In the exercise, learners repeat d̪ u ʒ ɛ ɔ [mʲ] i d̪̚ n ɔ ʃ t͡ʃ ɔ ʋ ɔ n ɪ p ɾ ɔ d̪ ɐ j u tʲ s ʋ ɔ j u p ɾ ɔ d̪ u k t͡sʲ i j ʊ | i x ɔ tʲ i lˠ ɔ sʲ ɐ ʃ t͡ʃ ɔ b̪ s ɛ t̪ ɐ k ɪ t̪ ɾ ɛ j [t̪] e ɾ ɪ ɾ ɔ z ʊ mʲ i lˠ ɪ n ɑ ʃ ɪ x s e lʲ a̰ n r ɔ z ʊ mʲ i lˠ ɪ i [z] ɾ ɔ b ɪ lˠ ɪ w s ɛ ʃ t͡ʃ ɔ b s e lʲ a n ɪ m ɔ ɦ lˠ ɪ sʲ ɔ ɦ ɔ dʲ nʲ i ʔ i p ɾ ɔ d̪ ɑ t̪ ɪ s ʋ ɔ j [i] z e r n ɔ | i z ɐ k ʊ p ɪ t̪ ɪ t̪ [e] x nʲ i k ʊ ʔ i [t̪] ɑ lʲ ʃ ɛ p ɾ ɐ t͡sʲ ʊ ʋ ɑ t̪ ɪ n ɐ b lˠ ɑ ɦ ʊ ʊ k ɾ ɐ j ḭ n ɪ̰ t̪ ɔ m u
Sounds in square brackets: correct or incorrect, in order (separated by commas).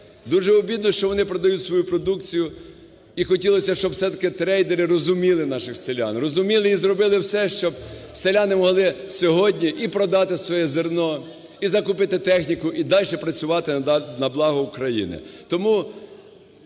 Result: incorrect, incorrect, correct, incorrect, incorrect, incorrect